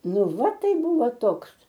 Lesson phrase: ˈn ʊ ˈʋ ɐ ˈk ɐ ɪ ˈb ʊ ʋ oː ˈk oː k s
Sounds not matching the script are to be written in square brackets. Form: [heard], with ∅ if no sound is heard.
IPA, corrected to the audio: ˈn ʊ ˈʋ ɐ [ˈt] ɐ ɪ ˈb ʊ ʋ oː [ˈt] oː k s